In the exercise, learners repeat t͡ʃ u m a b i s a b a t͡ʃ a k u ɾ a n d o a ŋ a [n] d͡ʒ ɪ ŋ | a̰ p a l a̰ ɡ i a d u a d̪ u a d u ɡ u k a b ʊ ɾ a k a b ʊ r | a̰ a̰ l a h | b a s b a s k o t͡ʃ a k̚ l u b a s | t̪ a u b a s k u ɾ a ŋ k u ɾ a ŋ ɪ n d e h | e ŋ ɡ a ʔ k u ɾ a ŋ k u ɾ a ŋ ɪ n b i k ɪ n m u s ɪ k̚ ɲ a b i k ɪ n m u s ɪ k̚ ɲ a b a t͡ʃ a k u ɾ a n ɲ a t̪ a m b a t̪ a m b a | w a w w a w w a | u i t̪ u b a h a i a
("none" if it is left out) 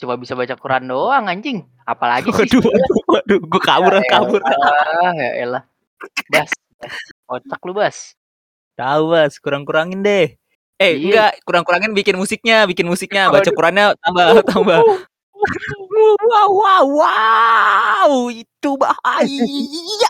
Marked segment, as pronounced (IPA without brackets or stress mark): ɲ